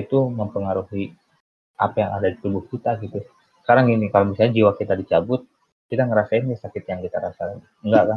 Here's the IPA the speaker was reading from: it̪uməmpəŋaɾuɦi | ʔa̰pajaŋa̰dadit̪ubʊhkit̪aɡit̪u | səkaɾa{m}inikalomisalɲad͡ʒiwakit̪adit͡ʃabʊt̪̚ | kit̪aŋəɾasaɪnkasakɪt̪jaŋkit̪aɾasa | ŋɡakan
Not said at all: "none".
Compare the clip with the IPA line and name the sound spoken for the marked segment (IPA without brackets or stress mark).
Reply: ŋ